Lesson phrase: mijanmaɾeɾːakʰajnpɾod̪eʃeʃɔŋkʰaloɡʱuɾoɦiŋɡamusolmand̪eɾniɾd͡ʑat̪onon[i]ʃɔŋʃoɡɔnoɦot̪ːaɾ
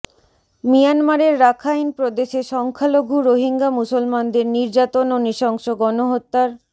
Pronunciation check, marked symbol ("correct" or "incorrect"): correct